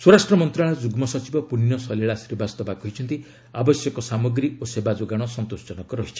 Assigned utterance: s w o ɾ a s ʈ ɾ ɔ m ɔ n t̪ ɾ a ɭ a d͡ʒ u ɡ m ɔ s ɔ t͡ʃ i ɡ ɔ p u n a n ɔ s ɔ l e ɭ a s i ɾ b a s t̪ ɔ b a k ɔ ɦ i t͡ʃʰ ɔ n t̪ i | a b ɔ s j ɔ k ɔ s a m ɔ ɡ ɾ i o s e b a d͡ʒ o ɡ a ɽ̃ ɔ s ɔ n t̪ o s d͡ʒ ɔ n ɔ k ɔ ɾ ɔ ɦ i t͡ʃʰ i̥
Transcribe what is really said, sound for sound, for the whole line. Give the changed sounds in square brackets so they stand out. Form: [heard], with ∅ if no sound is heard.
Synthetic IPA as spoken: s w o ɾ a s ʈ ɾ ɔ m ɔ n t̪ ɾ a ɭ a d͡ʒ u ɡ m ɔ s ɔ t͡ʃ i [b] ɔ p u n [i] n ɔ s ɔ l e ɭ a s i ɾ b a s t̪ ɔ b a k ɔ ɦ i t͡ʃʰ ɔ n t̪ i | a b ɔ s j ɔ k ɔ s a m ɔ ɡ ɾ i o s e b a d͡ʒ o ɡ a ɽ̃ ɔ s ɔ n t̪ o s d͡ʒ ɔ n ɔ k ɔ ɾ ɔ ɦ i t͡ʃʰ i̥

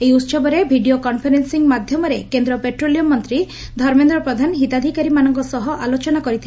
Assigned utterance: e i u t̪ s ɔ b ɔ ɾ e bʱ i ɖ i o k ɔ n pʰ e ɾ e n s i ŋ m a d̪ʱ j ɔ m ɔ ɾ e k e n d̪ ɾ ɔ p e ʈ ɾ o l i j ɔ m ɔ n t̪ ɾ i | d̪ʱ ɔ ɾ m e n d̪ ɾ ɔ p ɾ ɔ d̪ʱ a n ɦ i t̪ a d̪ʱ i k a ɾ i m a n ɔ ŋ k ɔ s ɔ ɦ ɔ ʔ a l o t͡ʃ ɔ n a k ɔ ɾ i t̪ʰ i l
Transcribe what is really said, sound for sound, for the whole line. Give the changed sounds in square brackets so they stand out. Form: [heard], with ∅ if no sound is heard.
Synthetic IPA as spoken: e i u t̪ s ɔ b ɔ ɾ e bʱ i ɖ i o k ɔ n pʰ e ɾ e n s i ŋ m a d̪ʱ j ɔ m ɔ ɾ e k e n d̪ ɾ ɔ p e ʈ ɾ o l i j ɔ m ɔ n t̪ ɾ i | d̪ʱ ɔ ɾ m e n d̪ ɾ ɔ p ɾ ɔ d̪ʱ a n ɦ i t̪ a d̪ʱ i k a ɾ i m a n ɔ ŋ k ɔ s ɔ ɦ ɔ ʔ a l o t͡ʃ ɔ n a k ɔ ɾ i t̪ʰ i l

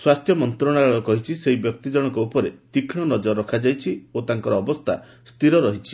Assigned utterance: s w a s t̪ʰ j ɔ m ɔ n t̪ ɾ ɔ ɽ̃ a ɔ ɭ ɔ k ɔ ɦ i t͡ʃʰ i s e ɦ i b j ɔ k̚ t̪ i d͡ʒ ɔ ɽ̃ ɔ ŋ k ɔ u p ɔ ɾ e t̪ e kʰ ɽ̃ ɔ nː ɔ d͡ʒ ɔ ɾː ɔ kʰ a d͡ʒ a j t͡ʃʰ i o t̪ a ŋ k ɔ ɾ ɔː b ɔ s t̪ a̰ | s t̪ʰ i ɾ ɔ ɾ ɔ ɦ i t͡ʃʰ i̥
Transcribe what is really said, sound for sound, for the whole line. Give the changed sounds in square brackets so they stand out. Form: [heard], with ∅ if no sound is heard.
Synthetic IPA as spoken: s w a s t̪ʰ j ɔ m ɔ n t̪ ɾ ɔ ɽ̃ a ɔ ɭ ɔ k ɔ ɦ i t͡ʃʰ i s e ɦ i b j ɔ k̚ t̪ i d͡ʒ ɔ ɽ̃ ɔ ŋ k ɔ u p ɔ ɾ e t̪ [i] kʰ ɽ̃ ɔ [n] ɔ d͡ʒ ɔ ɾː ɔ kʰ a d͡ʒ a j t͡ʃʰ i o t̪ a ŋ k ɔ ɾ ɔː b ɔ s [t̪ʰ] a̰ | s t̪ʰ i ɾ ɔ ɾ ɔ ɦ i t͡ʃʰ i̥

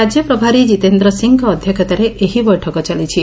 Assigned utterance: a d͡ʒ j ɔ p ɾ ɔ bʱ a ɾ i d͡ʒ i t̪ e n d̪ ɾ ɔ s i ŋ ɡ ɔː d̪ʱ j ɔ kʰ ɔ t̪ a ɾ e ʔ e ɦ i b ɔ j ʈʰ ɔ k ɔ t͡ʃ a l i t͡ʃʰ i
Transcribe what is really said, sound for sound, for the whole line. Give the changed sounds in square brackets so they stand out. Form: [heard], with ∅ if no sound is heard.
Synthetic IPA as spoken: a d͡ʒ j ɔ p ɾ ɔ bʱ a ɾ i d͡ʒ i t̪ e n d̪ ɾ ɔ s i ŋ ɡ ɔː d̪ʱ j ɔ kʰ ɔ t̪ a ɾ e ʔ e ɦ i b ɔ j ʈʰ ɔ k ɔ t͡ʃ a l i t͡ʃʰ i

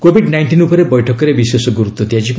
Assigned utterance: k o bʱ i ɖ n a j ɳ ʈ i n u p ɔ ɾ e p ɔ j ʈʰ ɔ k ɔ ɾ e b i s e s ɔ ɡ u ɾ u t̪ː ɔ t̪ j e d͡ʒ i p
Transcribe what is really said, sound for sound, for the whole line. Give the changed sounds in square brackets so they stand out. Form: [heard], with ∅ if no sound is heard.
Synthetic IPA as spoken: k o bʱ i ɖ n a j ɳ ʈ i n u p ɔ ɾ e [b] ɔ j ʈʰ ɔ k ɔ ɾ e b i s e s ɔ ɡ u ɾ u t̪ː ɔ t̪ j [a] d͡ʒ i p

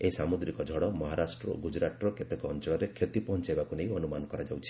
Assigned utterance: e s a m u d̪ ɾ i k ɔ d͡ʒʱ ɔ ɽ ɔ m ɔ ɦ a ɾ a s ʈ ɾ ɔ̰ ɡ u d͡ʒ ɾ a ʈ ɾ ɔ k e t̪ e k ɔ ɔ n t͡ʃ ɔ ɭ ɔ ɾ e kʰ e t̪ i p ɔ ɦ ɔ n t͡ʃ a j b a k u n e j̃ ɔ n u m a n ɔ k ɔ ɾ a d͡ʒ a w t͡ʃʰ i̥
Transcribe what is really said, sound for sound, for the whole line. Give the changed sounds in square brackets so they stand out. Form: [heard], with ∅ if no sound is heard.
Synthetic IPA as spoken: e s a m u d̪ ɾ i k ɔ d͡ʒʱ ɔ ɽ ɔ m ɔ ɦ a ɾ a s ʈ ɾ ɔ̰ ɡ u d͡ʒ ɾ a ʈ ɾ ɔ k e t̪ e k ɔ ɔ n t͡ʃ ɔ ɭ ɔ ɾ e kʰ e t̪ i p ɔ ɦ ɔ n t͡ʃ a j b a k u n e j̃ ɔ n u m a n ɔ k ɔ ɾ a d͡ʒ a w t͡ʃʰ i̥

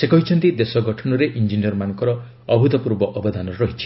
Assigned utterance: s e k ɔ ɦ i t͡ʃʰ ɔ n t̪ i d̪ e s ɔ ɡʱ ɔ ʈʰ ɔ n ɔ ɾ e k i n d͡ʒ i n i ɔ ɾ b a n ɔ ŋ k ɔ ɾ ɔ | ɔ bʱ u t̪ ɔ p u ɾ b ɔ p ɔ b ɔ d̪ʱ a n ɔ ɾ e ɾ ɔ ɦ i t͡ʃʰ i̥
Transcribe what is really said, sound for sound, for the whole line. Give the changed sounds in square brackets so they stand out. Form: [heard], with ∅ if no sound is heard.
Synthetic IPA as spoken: s e k ɔ ɦ i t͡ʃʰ ɔ n t̪ i d̪ e s ɔ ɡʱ ɔ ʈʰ ɔ n ɔ ɾ e [ʔ] i n d͡ʒ i n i ɔ ɾ [m] a n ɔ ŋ k ɔ ɾ ɔ | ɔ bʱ u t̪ ɔ p u ɾ b ɔ [ʔ] ɔ b ɔ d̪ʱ a n ɔ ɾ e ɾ ɔ ɦ i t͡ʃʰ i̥

